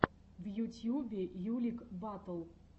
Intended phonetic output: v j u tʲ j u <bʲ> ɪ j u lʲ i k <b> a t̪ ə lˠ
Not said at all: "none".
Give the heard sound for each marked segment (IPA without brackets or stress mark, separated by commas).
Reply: bʲ, b